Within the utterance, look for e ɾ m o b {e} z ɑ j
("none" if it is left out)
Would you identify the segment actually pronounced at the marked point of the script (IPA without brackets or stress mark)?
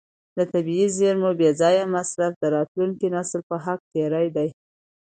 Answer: e